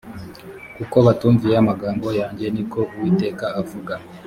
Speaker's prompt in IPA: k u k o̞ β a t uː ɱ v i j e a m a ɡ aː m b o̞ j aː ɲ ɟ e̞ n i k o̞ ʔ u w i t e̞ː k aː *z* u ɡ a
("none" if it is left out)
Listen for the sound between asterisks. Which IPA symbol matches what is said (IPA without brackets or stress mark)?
v